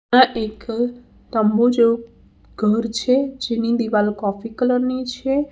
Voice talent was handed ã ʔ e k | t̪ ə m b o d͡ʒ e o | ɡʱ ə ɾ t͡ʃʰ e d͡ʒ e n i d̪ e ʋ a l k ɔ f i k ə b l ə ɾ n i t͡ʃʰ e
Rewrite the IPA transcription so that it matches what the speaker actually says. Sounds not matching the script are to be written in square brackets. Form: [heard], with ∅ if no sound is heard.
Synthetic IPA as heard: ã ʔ e k | t̪ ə m b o d͡ʒ e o | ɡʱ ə ɾ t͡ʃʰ e d͡ʒ e n i d̪ [i] ʋ a l k ɔ f i k ə [∅] l ə ɾ n i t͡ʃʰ e